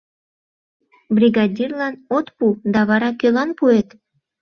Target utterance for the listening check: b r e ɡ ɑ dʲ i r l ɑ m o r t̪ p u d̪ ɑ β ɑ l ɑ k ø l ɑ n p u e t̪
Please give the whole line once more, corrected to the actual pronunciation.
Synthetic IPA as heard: b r i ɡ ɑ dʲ i r l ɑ n o t̪ p u d̪ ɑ β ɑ ɾ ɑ k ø l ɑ n p u e t̪